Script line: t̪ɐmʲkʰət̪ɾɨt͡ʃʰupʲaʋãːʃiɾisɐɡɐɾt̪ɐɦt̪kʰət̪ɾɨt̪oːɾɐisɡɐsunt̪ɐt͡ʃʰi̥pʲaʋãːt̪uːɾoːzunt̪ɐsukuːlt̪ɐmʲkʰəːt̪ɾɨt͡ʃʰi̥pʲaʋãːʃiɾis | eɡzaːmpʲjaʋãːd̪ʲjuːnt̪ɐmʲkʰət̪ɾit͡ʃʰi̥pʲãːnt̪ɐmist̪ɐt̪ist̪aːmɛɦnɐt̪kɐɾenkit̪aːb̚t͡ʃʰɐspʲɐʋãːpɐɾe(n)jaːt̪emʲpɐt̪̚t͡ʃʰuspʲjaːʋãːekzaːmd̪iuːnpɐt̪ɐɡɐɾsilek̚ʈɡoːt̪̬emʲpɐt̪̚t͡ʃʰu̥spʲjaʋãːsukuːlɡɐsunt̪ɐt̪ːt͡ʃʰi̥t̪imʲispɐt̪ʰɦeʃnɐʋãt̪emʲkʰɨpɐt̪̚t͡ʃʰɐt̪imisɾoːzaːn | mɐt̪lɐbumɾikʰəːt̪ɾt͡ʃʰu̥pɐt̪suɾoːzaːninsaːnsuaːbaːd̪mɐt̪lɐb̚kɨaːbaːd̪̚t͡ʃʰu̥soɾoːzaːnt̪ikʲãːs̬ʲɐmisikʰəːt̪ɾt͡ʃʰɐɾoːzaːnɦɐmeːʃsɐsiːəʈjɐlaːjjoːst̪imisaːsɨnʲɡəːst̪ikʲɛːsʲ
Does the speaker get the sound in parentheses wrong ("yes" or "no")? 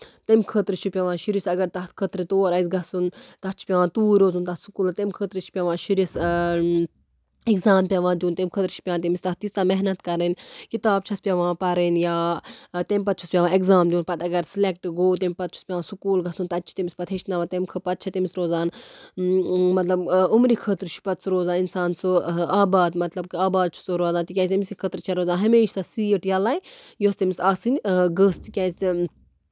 no